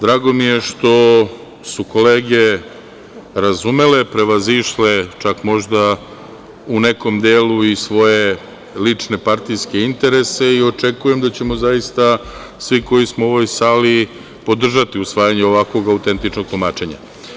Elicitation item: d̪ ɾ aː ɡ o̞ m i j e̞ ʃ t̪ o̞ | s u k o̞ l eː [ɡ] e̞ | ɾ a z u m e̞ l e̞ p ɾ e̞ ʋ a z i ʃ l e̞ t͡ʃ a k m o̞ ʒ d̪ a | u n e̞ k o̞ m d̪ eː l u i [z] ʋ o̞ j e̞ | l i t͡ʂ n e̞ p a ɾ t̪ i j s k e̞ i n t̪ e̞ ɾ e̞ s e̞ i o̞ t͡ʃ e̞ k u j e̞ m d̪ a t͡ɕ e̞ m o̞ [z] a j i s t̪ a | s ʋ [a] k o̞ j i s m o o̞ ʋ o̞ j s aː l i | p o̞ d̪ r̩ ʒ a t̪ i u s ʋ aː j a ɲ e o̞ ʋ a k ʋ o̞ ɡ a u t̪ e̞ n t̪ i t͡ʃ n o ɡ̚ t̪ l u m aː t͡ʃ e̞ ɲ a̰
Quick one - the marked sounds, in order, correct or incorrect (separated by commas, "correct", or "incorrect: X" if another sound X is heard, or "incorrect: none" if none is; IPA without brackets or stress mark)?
correct, incorrect: s, correct, incorrect: i